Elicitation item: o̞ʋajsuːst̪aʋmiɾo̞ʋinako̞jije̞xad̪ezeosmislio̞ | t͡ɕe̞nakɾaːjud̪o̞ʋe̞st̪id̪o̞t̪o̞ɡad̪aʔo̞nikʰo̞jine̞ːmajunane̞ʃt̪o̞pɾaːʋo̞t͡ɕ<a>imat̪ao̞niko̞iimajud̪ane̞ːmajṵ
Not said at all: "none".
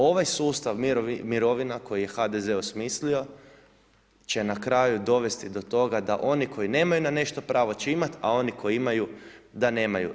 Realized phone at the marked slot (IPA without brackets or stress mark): e